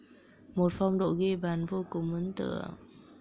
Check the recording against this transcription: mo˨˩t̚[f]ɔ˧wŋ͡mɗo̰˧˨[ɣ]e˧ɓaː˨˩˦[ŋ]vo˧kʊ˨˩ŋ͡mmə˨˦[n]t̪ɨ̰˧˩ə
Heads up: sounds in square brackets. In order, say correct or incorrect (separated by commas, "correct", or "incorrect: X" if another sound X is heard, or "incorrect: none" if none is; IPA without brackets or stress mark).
correct, correct, incorrect: n, correct